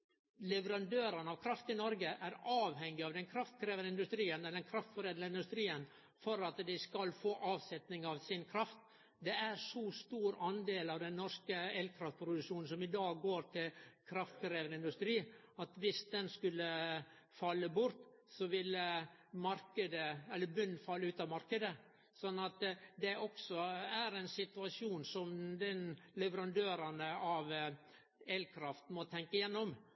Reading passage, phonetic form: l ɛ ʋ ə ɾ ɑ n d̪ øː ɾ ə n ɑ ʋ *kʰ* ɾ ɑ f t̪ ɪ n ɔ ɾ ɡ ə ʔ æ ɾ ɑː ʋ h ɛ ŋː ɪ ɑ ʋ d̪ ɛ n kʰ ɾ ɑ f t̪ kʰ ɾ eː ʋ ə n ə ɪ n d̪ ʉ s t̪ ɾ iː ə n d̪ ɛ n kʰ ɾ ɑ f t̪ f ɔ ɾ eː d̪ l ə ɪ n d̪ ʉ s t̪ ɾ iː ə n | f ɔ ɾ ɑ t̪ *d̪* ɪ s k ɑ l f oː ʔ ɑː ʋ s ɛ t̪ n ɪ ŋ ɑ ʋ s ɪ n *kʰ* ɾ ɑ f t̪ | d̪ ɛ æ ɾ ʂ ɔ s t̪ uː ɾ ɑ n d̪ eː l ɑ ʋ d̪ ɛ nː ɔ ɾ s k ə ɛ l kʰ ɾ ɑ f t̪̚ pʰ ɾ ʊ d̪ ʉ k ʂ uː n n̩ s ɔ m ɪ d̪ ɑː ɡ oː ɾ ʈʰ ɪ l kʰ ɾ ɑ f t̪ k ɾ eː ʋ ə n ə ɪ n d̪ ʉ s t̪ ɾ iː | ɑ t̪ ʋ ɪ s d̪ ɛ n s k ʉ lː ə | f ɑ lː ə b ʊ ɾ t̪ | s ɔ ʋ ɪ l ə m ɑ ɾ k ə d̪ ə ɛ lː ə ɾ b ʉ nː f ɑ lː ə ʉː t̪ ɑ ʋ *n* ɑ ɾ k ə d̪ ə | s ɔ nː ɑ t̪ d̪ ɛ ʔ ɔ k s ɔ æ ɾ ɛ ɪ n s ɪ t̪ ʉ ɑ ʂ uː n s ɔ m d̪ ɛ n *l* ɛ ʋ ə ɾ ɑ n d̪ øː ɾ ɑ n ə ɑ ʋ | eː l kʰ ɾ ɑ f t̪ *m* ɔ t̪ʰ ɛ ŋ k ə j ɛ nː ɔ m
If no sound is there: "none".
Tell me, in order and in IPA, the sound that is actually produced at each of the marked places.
kʰ, d̪, kʰ, m, l, m

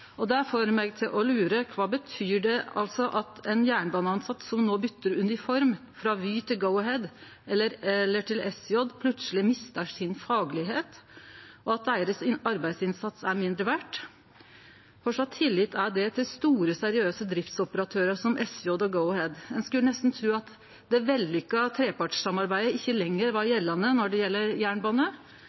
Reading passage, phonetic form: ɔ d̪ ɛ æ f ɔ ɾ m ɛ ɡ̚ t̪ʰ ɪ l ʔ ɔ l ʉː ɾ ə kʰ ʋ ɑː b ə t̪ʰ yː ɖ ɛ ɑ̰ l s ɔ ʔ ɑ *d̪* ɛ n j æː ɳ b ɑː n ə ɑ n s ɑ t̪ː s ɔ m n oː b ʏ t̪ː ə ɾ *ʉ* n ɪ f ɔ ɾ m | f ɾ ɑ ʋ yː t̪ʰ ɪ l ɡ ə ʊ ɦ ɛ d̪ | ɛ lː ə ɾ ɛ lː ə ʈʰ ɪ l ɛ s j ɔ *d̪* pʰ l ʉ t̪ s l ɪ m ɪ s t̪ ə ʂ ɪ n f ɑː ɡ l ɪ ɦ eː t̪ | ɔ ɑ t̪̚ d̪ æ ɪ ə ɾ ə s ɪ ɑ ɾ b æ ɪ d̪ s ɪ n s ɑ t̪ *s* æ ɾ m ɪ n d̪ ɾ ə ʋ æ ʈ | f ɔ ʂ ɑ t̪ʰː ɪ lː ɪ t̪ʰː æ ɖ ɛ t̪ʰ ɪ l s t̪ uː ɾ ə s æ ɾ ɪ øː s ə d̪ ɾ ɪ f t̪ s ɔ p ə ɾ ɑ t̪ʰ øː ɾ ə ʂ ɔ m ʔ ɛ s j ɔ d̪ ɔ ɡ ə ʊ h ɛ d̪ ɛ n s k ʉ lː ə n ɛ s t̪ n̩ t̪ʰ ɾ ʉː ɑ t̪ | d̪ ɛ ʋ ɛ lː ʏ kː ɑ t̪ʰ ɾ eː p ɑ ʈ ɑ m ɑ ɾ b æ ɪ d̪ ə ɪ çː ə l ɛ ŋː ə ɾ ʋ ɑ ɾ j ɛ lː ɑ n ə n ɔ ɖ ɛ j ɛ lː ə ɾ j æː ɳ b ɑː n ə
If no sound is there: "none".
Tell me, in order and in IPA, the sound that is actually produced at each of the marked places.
t̪, ʉ, d̪, s

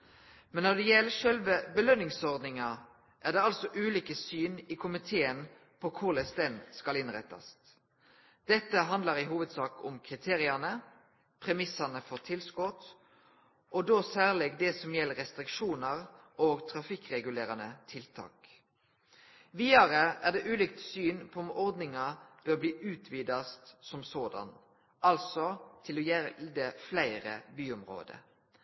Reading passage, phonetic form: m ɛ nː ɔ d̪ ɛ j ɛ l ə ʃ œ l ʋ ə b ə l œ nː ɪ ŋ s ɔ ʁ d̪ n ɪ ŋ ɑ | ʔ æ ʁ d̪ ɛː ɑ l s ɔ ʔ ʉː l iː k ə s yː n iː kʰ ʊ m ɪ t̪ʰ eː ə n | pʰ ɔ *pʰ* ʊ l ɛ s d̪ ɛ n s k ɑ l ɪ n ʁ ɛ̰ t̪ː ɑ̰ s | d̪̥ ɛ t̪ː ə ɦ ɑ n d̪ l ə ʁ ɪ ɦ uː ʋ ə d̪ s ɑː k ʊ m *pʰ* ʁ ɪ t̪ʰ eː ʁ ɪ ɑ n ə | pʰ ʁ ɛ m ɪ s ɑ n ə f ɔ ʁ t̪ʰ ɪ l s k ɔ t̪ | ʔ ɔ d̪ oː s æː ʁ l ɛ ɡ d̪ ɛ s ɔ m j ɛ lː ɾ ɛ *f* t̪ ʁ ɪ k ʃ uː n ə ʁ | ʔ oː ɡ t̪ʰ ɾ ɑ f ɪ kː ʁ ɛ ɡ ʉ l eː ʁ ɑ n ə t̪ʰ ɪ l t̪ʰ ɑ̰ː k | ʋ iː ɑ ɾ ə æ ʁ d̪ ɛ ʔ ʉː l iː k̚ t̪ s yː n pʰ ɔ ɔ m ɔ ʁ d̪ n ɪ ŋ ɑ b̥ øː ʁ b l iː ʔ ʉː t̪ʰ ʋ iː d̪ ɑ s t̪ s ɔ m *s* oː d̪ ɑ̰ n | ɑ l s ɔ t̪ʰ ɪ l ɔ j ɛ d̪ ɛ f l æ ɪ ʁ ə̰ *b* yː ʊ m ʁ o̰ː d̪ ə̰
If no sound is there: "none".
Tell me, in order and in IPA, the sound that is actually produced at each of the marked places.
kʰ, kʰ, s, s, b

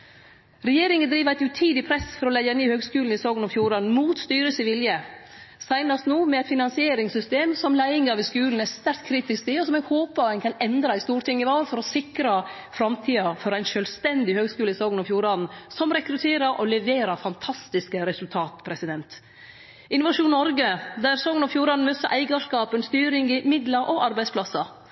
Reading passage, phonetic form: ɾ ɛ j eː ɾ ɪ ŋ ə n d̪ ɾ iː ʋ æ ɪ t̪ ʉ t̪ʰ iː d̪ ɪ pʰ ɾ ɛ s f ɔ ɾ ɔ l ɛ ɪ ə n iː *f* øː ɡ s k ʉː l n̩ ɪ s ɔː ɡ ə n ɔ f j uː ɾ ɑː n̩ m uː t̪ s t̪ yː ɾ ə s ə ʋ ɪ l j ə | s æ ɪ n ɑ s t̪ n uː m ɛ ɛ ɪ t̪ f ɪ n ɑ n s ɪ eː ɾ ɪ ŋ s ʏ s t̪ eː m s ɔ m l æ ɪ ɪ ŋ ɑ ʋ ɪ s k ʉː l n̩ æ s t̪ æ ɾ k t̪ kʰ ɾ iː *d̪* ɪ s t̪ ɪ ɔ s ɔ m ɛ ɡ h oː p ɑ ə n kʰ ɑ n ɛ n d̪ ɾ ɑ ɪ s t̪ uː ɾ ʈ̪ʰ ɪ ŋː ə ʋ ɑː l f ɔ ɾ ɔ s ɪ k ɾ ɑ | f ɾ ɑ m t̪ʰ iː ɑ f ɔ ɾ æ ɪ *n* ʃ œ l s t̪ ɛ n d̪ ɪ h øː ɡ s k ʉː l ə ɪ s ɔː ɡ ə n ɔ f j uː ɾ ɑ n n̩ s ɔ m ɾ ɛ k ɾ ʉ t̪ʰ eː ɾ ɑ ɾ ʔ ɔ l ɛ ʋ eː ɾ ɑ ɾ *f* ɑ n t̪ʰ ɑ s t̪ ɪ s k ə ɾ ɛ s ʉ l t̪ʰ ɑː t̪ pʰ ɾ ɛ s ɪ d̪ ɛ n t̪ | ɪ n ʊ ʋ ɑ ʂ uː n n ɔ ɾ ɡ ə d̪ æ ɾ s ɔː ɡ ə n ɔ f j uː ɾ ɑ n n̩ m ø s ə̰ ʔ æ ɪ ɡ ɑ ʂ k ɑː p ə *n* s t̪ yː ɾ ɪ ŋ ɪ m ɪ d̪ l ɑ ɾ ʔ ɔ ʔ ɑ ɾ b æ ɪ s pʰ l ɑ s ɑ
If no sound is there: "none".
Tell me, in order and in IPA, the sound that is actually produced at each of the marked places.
h, t̪, n, f, n

